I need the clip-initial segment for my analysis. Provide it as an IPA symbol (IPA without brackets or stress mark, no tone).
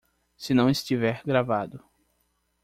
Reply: s